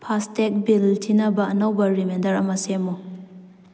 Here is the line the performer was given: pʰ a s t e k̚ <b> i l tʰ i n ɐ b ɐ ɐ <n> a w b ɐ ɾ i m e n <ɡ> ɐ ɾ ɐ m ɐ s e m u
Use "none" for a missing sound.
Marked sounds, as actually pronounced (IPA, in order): b, n, d

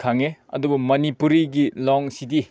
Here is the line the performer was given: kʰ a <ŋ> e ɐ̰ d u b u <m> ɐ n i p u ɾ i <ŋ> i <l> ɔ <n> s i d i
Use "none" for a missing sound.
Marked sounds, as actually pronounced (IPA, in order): ŋ, m, ɡ, l, ŋ

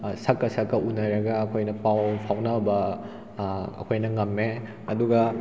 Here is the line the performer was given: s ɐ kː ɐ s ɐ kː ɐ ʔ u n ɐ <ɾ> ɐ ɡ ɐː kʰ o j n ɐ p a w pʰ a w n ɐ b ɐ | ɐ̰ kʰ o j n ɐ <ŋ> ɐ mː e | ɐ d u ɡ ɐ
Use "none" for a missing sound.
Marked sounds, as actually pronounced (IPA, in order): ɾ, ŋ

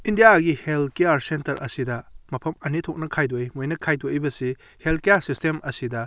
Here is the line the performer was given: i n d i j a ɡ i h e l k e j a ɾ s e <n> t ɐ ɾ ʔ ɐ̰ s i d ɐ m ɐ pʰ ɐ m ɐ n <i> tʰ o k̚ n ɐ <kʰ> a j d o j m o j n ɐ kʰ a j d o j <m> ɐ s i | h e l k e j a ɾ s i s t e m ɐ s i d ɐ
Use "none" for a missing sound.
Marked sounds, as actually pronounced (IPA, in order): n, i, kʰ, b

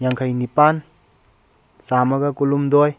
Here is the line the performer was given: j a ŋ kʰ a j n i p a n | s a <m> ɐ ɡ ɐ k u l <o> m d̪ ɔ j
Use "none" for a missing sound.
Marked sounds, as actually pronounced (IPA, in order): m, u

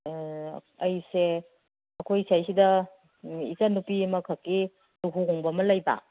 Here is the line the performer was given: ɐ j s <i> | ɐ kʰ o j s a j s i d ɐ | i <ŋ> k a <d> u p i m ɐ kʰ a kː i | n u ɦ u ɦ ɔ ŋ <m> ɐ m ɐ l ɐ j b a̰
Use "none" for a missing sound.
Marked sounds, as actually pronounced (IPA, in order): e, none, n, b

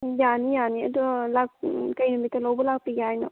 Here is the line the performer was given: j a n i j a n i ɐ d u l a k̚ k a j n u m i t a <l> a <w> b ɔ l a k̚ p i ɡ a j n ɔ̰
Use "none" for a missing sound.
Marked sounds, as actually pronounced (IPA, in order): l, w

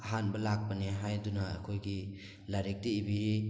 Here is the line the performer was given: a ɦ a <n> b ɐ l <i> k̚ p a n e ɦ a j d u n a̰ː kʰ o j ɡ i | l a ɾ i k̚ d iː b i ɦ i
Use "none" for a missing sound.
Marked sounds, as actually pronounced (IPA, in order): n, a

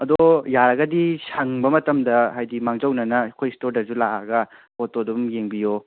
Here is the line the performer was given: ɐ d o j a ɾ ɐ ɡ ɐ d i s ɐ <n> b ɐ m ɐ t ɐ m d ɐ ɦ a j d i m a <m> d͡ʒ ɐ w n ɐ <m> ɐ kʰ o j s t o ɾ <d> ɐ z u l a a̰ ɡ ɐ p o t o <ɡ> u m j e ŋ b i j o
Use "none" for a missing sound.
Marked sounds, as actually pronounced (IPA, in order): ŋ, ŋ, n, d, d

